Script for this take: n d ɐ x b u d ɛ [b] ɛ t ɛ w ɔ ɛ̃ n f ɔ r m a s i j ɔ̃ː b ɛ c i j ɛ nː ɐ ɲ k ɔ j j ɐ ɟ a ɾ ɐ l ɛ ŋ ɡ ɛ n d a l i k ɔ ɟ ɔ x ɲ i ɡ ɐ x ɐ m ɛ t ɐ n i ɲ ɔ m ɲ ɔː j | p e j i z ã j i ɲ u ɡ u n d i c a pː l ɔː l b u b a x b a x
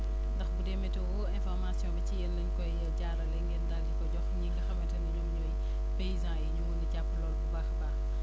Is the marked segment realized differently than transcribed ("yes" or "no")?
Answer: yes